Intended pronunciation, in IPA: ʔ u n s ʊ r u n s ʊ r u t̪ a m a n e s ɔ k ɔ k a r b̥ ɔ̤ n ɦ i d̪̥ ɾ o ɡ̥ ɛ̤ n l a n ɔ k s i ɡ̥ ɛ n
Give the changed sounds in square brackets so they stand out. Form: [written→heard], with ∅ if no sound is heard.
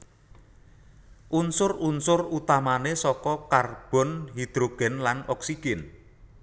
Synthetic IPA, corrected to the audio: ʔ u n s ʊ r u n s ʊ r u t̪ a m a n e s ɔ k ɔ k a r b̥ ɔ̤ n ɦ i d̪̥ ɾ o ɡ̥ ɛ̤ n l a n ɔ k s i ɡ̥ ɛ n